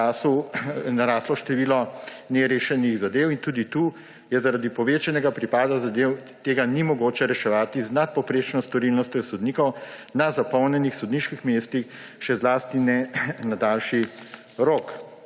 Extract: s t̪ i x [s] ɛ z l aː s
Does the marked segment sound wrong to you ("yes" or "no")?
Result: yes